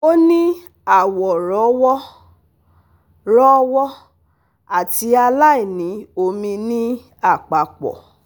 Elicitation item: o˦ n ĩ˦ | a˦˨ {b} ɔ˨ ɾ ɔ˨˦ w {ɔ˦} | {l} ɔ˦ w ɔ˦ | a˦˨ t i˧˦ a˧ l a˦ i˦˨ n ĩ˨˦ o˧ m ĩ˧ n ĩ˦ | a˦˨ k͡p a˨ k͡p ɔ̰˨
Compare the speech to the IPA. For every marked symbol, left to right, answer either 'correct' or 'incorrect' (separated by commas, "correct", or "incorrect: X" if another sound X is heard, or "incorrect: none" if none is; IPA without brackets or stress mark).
incorrect: w, correct, incorrect: ɾ